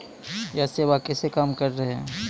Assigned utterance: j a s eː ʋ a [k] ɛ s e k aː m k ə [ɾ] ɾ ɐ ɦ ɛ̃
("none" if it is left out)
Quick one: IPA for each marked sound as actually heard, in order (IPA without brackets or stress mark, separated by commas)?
k, ɾ